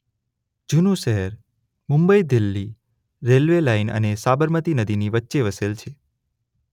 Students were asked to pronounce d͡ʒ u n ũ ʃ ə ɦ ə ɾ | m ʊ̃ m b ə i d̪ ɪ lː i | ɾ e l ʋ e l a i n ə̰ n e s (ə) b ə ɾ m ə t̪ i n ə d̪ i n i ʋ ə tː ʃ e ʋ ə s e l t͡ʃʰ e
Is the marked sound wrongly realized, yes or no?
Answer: yes